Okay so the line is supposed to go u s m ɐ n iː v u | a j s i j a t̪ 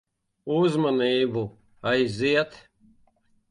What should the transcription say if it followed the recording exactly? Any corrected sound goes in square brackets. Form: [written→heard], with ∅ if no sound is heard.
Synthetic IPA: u [s→z] m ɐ n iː [v→b] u | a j [s→z] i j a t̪

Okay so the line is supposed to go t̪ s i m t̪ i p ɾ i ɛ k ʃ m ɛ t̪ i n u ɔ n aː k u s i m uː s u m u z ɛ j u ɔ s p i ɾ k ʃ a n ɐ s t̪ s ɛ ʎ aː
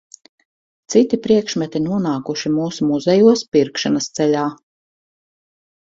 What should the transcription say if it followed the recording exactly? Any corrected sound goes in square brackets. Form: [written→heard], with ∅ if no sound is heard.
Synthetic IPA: t̪ s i [m→∅] t̪ i p ɾ i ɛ k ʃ m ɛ t̪ i n u ɔ n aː k u [s→ʃ] i m uː s u m u z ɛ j u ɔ s p i ɾ k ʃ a n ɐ s t̪ s ɛ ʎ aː

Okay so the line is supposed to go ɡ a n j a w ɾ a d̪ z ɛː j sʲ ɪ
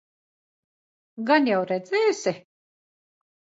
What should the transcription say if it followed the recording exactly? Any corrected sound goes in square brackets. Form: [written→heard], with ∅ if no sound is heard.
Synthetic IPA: ɡ a n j a w ɾ [a→ɛ] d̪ z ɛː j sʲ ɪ

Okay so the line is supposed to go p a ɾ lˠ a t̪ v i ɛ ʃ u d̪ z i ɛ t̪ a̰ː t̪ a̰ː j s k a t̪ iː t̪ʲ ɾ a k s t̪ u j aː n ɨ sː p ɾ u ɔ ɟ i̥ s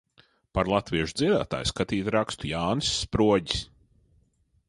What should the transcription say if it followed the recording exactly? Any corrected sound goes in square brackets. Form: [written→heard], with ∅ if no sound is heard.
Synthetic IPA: p a ɾ lˠ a t̪ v i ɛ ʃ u d̪ z i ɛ [t̪→d̪] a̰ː t̪ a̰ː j s k a t̪ iː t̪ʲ ɾ a k s t̪ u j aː n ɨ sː p ɾ u ɔ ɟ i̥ s

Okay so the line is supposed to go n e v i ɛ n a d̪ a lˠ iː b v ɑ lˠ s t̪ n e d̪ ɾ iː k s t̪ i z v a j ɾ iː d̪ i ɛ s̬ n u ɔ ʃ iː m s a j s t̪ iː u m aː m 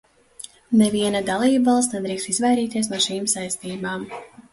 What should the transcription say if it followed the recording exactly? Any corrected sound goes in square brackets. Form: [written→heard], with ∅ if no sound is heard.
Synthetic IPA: n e v i ɛ n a d̪ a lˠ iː b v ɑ lˠ s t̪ n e d̪ ɾ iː k s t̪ i z v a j ɾ iː [d̪→t̪] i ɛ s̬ n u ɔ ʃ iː m s a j s t̪ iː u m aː m

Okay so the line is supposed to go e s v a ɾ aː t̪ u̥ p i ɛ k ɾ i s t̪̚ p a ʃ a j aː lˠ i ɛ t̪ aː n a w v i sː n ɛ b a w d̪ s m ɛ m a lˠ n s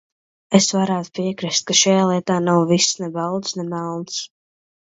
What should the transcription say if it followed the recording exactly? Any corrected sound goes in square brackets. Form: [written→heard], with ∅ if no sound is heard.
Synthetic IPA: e s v a ɾ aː t̪ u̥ p i ɛ k ɾ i s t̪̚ [p→k] a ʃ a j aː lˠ i ɛ t̪ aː n a w v i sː n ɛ b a w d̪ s [m→n] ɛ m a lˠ n s

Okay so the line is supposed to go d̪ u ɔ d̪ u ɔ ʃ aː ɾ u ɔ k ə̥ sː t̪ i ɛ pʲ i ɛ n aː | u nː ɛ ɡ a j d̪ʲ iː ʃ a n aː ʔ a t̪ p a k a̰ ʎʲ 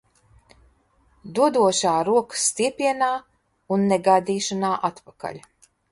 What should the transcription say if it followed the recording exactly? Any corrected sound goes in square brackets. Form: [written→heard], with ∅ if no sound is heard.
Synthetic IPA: d̪ u ɔ d̪ u ɔ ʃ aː ɾ u ɔ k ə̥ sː t̪ i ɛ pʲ i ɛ n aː | u nː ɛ ɡ a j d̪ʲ iː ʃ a n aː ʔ a t̪ p a k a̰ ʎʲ

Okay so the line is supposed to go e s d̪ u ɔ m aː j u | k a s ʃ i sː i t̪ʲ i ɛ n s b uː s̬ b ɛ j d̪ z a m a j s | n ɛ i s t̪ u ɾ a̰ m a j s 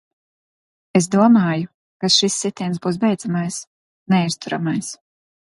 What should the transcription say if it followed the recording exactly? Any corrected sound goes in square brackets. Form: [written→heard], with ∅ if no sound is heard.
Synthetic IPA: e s d̪ u ɔ m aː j u | k a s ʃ i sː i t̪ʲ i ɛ n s b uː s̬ b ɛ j d̪ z a m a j s | n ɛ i s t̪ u ɾ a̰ m a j s

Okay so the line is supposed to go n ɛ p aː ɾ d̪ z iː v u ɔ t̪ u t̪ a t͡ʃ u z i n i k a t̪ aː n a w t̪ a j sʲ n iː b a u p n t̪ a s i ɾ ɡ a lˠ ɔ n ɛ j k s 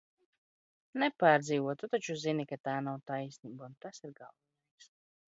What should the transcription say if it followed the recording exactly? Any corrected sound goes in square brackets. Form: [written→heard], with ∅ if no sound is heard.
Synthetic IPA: n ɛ p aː ɾ d̪ z iː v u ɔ t̪ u t̪ a t͡ʃ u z i n i k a t̪ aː n a w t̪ a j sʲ n iː b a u [p→∅] n t̪ a s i ɾ ɡ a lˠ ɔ n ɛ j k s

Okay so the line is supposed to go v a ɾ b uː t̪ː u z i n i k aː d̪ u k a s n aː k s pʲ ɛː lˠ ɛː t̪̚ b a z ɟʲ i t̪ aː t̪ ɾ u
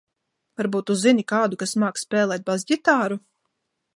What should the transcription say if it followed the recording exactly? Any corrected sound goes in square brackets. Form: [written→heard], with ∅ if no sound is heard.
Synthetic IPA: v a ɾ b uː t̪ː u z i n i k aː d̪ u k a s [n→m] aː k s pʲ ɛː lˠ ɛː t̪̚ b a z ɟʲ i t̪ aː [t̪→∅] ɾ u

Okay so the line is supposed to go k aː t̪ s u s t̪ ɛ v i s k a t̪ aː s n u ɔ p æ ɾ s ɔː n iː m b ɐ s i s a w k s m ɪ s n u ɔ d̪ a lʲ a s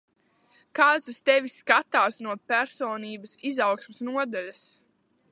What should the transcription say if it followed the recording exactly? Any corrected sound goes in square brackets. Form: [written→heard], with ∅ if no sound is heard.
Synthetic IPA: k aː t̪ s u s t̪ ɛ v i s k a t̪ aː s n u ɔ p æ ɾ s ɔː n iː [m→∅] b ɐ s i [s→z] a w k s m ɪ s n u ɔ d̪ a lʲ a s

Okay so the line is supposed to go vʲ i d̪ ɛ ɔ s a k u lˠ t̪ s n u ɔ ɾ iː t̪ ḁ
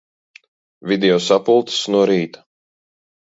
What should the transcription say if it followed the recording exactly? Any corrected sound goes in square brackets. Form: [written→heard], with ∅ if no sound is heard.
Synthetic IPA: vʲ i d̪ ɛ ɔ s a [k→p] u lˠ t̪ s n u ɔ ɾ iː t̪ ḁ

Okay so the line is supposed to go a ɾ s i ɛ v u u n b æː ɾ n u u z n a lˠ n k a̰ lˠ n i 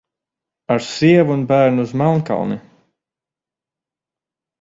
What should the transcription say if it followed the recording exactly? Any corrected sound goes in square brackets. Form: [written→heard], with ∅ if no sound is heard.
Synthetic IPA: a ɾ s i ɛ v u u n b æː ɾ n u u z [n→m] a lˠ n k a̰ lˠ n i

